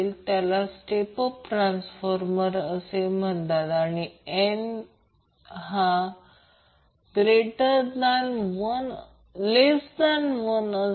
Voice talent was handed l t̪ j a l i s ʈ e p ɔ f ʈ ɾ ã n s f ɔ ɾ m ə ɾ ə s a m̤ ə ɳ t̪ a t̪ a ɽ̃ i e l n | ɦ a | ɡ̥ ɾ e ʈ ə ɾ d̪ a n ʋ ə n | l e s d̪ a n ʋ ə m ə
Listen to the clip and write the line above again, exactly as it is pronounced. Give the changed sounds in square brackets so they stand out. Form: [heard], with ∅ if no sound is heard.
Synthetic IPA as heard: l t̪ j a l [a] s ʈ e p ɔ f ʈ ɾ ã n s f ɔ ɾ m ə ɾ ə s [e] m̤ ə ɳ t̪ a t̪ a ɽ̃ i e [∅] n | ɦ a | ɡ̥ ɾ e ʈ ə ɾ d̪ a n ʋ ə n | l e s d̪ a n ʋ ə [n] ə

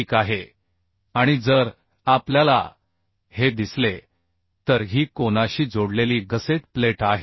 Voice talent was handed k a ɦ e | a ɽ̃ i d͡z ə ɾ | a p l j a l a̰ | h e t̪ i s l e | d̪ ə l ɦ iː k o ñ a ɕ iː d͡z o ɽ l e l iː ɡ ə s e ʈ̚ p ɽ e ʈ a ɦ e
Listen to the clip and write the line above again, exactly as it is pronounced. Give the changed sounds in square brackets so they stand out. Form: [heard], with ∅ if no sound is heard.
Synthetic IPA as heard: k a ɦ e | a ɽ̃ i d͡z ə ɾ | a p l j a l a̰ | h e [d̪] i s l e | [t̪] ə [ɾ] ɦ iː k o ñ a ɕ iː d͡z o ɽ l e l iː ɡ ə s e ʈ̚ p [l] e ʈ a ɦ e

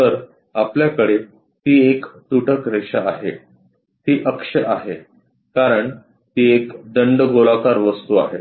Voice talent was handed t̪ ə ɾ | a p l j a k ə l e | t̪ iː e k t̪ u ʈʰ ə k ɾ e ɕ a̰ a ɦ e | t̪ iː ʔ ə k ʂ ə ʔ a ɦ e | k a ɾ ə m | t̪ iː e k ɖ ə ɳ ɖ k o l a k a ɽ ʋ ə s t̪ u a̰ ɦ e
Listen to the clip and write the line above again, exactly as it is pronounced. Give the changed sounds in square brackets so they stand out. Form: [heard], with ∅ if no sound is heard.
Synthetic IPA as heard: t̪ ə ɾ | a p l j a k ə [ɽ] e | t̪ iː e k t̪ u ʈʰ ə k ɾ e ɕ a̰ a ɦ e | t̪ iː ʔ ə k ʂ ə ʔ a ɦ e | k a ɾ ə [ɳ] | t̪ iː e k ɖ ə ɳ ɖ [ɡ] o l a k a [ɾ] ʋ ə s t̪ u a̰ ɦ e

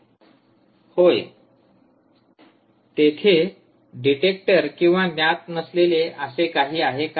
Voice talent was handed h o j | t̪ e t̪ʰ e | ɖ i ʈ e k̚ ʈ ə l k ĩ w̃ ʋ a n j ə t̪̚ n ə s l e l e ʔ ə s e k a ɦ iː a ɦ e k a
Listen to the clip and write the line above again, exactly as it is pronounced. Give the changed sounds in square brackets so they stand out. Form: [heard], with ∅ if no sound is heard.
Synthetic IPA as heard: h o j | t̪ e t̪ʰ e | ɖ i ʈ e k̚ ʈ ə [ɾ] k ĩ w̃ ʋ a n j [a] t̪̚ n ə s l e l e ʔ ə s e k a ɦ iː a ɦ e k a

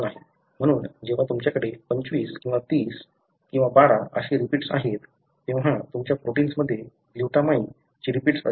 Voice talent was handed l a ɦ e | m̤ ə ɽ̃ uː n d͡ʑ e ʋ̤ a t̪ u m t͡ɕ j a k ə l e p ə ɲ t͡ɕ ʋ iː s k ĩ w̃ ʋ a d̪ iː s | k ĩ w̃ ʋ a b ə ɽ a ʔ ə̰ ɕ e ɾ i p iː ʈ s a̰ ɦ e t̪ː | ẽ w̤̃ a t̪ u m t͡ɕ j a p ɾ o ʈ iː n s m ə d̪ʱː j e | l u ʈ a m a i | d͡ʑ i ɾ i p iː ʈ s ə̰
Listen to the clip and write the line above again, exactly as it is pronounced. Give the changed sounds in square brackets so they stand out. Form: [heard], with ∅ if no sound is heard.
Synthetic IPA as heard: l a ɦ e | m̤ ə ɽ̃ uː n d͡ʑ e ʋ̤ a t̪ u m t͡ɕ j a k ə [ɽ] e p ə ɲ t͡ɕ ʋ iː s k ĩ w̃ ʋ a [t̪] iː s | k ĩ w̃ ʋ a b [a] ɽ a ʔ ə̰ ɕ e ɾ i p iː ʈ s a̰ ɦ e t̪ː | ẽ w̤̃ a t̪ u m t͡ɕ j a p ɾ o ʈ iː n s m ə d̪ʱː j e | l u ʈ a m a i | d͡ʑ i ɾ i p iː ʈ s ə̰

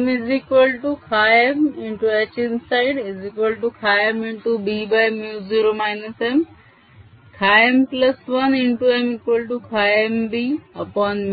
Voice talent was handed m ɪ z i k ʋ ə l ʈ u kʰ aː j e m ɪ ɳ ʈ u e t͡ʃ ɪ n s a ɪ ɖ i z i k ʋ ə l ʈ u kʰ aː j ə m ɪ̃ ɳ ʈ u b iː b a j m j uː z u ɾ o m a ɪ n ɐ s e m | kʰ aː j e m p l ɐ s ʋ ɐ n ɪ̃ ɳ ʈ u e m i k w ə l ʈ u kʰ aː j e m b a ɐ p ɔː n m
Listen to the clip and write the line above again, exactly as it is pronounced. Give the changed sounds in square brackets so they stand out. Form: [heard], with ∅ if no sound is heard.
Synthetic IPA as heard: m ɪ z i k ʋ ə l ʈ u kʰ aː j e m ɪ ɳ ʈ u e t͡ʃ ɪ n s a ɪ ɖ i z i k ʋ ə l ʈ u kʰ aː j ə m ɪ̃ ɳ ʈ u b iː b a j m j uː z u ɾ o m a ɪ n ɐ s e m | kʰ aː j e m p l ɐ s ʋ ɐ n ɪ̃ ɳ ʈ u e m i k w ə l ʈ u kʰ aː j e m b [i] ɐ p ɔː n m

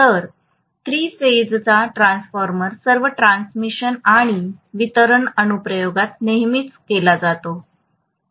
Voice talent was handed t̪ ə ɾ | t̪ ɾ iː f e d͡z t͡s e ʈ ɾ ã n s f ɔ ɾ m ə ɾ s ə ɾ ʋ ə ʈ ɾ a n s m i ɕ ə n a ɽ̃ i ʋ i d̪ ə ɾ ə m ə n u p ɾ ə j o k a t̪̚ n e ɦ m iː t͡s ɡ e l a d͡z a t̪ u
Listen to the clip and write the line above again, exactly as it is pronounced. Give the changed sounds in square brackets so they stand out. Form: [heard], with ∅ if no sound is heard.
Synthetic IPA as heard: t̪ ə ɾ | t̪ ɾ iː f e d͡z t͡s [a] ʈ ɾ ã n s f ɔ ɾ m ə ɾ s ə ɾ ʋ ə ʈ ɾ a n s m i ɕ ə n a ɽ̃ i ʋ i [t̪] ə ɾ ə [ɳ] ə n u p ɾ ə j o [ɡ] a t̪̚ n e ɦ m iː t͡s [k] e l a d͡z a t̪ [o]

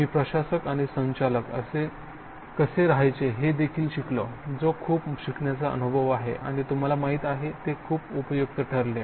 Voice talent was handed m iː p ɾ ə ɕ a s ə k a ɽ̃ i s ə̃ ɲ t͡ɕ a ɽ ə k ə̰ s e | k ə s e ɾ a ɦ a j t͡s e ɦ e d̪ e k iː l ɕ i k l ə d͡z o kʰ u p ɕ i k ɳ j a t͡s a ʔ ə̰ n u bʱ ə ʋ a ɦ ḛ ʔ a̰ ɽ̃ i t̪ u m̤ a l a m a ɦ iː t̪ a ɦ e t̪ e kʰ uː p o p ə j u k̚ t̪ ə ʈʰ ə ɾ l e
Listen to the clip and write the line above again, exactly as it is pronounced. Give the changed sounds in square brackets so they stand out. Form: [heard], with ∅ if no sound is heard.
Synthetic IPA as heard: m iː p ɾ ə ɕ a s ə k a ɽ̃ i s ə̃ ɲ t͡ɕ a [l] ə k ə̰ s e | k ə s e ɾ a ɦ a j t͡s e ɦ e d̪ e [kʰ] iː l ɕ i k l ə d͡z o kʰ [uː] p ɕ i k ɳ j a t͡s a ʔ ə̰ n u bʱ ə ʋ a ɦ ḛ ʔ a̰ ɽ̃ i t̪ u m̤ a l a m a ɦ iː t̪ a ɦ e t̪ e kʰ uː p [u] p ə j u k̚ t̪ ə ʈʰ ə ɾ l e

